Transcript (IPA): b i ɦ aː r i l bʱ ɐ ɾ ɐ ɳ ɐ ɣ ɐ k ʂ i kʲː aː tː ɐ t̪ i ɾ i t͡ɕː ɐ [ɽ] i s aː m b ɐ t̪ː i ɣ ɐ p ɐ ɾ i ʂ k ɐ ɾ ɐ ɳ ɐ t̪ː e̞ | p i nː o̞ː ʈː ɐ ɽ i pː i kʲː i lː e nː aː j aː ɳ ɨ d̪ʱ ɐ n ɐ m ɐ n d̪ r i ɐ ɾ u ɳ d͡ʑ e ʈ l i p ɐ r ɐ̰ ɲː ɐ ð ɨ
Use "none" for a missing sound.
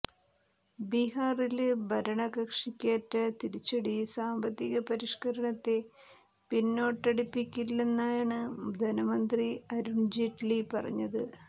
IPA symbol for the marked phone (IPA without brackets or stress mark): ɽ